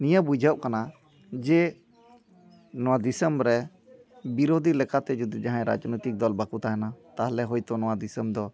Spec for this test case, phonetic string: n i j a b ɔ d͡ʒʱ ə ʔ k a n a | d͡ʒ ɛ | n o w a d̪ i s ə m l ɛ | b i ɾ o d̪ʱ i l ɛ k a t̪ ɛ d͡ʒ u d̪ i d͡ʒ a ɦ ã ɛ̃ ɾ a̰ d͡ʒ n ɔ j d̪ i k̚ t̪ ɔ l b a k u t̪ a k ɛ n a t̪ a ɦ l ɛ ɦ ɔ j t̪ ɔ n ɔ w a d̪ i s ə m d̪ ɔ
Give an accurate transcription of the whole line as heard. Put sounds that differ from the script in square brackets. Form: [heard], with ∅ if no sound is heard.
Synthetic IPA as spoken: n i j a b [u] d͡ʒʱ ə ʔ k a n a | d͡ʒ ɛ | n [ɔ] w a d̪ i s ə m [ɾ] ɛ | b i ɾ o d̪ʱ i l ɛ k a t̪ ɛ d͡ʒ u d̪ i d͡ʒ a ɦ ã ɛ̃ ɾ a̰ d͡ʒ n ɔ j [t̪] i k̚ [d̪] ɔ l b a k u t̪ a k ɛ n a t̪ a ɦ l ɛ ɦ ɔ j t̪ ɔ n ɔ w a d̪ i s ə m d̪ ɔ